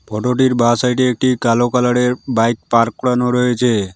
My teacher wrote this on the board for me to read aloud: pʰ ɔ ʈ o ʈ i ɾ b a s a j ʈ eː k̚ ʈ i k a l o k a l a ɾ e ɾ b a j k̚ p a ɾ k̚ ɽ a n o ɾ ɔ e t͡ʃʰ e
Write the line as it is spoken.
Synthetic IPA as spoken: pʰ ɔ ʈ o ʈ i ɾ b a s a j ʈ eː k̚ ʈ i k a l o k a l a ɽ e ɾ b a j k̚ p a ɾ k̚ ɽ a n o ɾ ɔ e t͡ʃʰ e